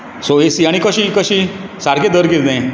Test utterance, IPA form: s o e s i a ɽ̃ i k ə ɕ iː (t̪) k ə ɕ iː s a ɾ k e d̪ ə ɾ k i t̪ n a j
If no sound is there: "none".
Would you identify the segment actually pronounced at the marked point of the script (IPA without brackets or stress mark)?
none